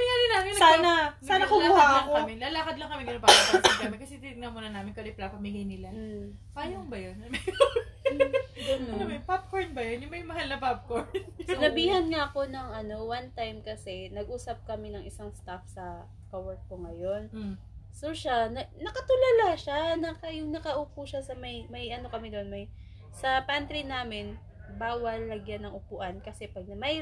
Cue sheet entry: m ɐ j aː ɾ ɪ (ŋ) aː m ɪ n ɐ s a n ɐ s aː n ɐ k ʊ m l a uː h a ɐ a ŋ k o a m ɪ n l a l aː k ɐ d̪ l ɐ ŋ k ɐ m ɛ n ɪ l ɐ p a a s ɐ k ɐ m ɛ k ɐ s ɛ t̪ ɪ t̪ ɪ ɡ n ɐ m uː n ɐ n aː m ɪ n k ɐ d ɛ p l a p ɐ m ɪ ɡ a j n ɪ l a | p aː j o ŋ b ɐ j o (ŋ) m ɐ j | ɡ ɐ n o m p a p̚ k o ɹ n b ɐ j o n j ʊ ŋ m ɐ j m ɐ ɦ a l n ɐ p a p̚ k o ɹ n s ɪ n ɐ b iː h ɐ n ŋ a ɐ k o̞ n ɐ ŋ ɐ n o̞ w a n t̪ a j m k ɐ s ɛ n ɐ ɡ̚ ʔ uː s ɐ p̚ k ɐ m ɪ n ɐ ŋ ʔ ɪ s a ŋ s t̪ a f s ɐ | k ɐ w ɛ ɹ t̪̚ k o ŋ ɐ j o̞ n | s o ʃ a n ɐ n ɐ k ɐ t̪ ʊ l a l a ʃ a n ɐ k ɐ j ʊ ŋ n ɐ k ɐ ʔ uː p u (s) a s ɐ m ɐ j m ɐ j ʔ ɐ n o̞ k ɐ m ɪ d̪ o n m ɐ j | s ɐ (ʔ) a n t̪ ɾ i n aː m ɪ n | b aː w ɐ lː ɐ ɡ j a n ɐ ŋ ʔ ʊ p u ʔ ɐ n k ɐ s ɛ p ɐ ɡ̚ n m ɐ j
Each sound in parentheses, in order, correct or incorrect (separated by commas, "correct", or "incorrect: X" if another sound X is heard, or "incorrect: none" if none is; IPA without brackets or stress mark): incorrect: n, incorrect: n, incorrect: ʃ, incorrect: p